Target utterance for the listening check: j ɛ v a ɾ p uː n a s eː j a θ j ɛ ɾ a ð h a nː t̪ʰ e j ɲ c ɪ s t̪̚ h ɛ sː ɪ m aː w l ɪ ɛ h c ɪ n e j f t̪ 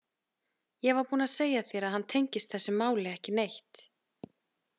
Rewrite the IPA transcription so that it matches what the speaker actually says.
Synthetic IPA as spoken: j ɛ v a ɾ p uː n a s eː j a θ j ɛ ɾ a ð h a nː t̪ʰ e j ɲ c ɪ s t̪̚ θ ɛ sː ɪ m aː w l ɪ ɛ h c ɪ n e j h t̪

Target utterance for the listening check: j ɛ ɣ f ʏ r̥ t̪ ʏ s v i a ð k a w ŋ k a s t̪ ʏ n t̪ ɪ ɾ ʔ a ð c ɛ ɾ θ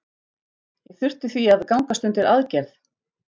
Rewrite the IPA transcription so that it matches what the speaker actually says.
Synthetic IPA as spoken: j ɛ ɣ θ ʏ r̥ t̪ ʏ θ v i a ð k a w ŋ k a s t̪ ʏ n t̪ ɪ ɾ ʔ a ð c ɛ ɾ θ

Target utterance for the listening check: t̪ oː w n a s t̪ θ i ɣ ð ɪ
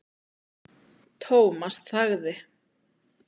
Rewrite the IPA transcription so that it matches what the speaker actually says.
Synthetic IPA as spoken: t̪ʰ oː w m a s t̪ θ a ɣ ð ɪ

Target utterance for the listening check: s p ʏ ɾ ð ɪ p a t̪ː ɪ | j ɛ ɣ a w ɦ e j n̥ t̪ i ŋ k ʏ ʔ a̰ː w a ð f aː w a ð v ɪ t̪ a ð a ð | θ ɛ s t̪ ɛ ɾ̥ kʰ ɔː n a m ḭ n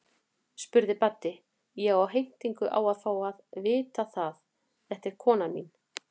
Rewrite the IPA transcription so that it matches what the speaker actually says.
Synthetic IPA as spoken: s p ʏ ɾ ð ɪ p a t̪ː ɪ | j ɛ ɣ a w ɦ e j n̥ t̪ i ŋ k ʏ ʔ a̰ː w a ð f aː w a ð v ɪː t̪ a θ a ð | θ ɛ h t̪ ɛ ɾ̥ kʰ ɔː n a m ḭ n

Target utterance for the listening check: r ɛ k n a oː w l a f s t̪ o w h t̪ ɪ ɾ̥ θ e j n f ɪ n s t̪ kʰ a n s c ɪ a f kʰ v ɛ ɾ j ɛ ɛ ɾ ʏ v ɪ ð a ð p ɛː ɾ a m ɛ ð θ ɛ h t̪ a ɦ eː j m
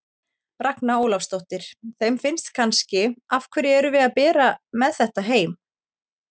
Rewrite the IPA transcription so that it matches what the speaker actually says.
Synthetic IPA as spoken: r a k n a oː w l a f s t̪ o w h t̪ ɪ ɾ̥ θ e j m f ɪ n s t̪ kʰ a n s c ɪ a f kʰ v ɛ ɾ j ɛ ɛ ɾ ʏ v ɪ ð a ð p ɛː ɾ a m ɛ ð θ ɛ h t̪ a ɦ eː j m

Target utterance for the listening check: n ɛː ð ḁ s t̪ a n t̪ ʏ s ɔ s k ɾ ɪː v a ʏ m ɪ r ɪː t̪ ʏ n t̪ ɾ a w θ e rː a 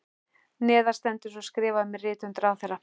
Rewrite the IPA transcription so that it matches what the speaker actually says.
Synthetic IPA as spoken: n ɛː ð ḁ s t̪ ɛ n t̪ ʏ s ɔ s k ɾ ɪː v a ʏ m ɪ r ɪː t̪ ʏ n t̪ ɾ a w θ ɛ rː a

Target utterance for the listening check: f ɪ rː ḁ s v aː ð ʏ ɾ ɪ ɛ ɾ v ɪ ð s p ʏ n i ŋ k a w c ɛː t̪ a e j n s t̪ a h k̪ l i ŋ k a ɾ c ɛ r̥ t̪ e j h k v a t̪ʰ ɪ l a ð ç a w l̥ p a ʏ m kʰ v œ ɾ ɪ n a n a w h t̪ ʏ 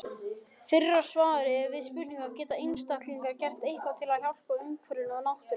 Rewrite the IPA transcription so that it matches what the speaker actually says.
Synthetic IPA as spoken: f ɪ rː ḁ s v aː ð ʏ ɾ ɪ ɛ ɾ v ɪ ð s p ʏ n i ŋ k a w c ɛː t̪ a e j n s t̪ a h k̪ l i ŋ k a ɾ c ɛ r̥ t̪ e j h k v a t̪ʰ ɪ l a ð ç a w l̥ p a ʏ m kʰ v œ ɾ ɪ n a n a w h t̪ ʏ

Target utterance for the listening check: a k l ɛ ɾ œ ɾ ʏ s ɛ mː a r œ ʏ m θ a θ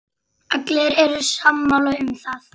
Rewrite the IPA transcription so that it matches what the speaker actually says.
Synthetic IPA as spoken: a k l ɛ ɾ ɛ ɾ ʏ s a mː a l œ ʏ m θ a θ

